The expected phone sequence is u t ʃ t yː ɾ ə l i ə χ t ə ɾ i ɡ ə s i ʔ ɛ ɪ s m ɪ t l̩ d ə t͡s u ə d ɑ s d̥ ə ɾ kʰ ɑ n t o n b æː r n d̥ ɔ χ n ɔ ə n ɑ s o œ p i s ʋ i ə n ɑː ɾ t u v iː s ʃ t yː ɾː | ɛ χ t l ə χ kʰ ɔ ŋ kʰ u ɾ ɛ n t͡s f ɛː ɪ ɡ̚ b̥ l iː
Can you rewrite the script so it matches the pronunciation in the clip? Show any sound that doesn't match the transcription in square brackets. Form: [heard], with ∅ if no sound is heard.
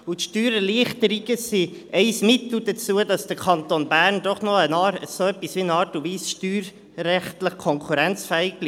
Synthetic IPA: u t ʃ t yː ɾ ə l i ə χ t ə ɾ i ɡ ə s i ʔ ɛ ɪ s m ɪ t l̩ d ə t͡s u ə d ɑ s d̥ ə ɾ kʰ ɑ n t o n b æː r n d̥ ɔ χ n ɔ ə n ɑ s o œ p i s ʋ i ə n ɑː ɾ t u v iː s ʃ t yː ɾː | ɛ χ t l ə χ kʰ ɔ ŋ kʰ u ɾ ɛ n t͡s f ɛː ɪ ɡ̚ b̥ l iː

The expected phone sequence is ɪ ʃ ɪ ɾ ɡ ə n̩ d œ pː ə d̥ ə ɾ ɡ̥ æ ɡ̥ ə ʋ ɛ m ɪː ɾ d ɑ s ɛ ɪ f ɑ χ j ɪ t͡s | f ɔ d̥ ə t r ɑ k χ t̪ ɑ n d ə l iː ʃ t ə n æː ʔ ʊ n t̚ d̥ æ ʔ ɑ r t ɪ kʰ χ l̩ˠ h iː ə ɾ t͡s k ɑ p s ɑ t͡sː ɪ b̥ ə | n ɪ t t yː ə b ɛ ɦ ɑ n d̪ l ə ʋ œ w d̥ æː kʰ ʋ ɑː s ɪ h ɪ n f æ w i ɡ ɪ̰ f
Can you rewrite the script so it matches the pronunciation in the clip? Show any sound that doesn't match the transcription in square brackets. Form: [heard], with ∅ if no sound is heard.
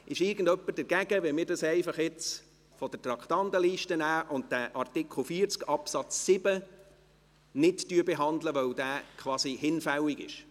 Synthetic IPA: ɪ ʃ ɪ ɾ ɡ ə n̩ d œ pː ə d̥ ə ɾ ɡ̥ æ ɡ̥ ə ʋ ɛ m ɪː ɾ d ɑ s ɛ ɪ f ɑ χ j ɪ t͡s | f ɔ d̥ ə t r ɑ k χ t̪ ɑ n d ə l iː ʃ t ə n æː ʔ ʊ n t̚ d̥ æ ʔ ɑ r t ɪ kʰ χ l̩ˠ [f] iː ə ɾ t͡s k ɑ p s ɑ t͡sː ɪ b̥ ə | n ɪ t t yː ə b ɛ ɦ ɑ n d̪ l ə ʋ œ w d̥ æː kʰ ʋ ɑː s [i] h ɪ n f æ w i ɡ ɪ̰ [ʃ]

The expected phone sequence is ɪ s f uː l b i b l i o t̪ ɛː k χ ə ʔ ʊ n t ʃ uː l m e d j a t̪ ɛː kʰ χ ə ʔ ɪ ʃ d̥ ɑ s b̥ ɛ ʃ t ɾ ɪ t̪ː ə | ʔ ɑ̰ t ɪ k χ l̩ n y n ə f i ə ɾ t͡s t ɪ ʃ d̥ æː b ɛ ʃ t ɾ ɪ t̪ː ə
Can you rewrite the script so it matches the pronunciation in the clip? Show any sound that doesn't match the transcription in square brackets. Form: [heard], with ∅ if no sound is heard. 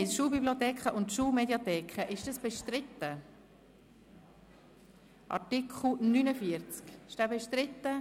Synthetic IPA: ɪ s [ʃ] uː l b i b l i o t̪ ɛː k χ ə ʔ ʊ n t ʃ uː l m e d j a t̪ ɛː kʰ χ ə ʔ ɪ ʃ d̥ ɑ s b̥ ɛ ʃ t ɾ ɪ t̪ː ə | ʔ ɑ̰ t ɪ k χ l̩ n y n ə f i ə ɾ t͡s [k] ɪ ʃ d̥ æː b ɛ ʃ t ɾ ɪ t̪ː ə

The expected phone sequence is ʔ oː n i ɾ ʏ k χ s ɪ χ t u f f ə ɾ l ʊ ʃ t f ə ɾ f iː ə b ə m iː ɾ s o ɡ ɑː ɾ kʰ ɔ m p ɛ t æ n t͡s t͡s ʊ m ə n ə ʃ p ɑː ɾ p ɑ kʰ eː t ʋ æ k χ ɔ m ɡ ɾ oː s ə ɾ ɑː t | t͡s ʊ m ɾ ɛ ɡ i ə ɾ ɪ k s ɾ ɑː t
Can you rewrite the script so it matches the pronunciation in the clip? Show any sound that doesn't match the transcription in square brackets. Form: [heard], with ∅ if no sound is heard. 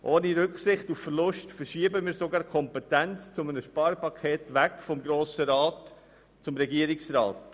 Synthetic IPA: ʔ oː n i ɾ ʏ k χ s ɪ χ t u f f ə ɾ l ʊ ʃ t f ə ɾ [ʃ] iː ə b ə m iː ɾ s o ɡ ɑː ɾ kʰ ɔ m p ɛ t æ n t͡s t͡s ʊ m ə n ə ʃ p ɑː ɾ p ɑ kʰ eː t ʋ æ k [f] ɔ m ɡ ɾ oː s ə ɾ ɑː t | t͡s ʊ m ɾ ɛ ɡ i ə ɾ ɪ k s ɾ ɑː t

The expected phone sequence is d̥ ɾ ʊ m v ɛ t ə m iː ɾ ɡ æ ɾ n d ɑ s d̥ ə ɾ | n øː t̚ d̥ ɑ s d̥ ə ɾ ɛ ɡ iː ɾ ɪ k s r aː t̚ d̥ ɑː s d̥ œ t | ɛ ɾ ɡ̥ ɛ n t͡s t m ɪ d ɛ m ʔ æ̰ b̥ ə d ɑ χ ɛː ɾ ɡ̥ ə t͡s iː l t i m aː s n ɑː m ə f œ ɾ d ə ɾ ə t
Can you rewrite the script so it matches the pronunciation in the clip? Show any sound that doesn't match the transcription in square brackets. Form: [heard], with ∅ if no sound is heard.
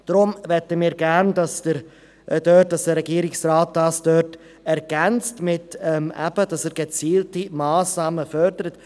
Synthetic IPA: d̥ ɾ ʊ m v ɛ t ə m iː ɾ ɡ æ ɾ n d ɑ s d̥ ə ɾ | [d] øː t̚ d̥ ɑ s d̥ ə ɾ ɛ ɡ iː ɾ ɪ k s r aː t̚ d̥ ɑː s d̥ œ t | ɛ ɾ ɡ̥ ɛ n t͡s t m ɪ [t] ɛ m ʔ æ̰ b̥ ə d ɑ [s] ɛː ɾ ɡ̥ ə t͡s iː l t i m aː s n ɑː m ə f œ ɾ d ə ɾ ə t

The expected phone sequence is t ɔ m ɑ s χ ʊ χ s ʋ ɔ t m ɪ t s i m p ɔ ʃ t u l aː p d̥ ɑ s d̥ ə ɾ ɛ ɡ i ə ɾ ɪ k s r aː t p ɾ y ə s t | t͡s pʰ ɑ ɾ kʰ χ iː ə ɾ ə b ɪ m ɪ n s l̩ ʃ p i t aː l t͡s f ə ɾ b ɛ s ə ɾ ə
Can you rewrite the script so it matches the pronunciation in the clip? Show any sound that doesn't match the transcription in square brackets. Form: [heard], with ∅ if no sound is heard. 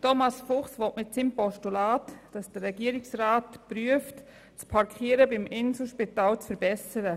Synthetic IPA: t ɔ m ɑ s [f] ʊ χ s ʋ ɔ t m ɪ t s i m p ɔ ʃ t u l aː [t] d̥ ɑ s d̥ ə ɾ ɛ ɡ i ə ɾ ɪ k s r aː t p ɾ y ə [f] t | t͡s pʰ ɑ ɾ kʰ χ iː ə ɾ ə b ɪ m ɪ n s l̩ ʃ p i t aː l t͡s f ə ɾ b ɛ s ə ɾ ə

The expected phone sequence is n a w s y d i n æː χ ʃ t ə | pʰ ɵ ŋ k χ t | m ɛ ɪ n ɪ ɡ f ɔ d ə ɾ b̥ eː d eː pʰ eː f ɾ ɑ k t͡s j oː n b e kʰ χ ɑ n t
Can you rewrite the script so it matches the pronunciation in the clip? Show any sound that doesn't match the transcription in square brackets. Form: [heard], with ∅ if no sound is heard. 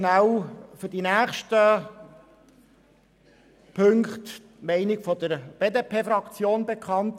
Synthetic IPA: n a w [f] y d i n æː χ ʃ t ə | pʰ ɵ ŋ k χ t | m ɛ ɪ n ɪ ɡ f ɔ d ə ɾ b̥ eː d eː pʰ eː f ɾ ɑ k t͡s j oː n b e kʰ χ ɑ n t

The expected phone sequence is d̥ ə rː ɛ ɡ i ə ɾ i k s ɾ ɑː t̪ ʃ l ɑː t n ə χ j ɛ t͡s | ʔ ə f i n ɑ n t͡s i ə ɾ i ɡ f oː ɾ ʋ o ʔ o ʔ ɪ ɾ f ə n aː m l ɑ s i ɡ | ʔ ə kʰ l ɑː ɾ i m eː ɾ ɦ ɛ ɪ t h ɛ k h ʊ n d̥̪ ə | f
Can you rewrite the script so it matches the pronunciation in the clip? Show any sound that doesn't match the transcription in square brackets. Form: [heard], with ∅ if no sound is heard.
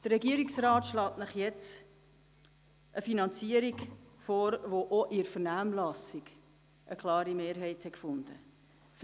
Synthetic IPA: d̥ ə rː ɛ ɡ i ə ɾ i k s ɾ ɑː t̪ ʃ l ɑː t n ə χ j ɛ t͡s | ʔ ə f i n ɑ n t͡s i ə ɾ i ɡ f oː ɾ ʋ o ʔ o ʔ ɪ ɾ f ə n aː m l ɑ s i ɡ | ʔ ə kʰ l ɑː ɾ i m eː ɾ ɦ ɛ ɪ t h ɛ k [f] ʊ n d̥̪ ə | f

